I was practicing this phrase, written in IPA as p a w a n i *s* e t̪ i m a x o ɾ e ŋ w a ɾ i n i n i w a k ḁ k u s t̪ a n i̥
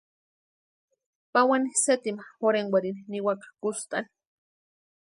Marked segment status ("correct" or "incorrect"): correct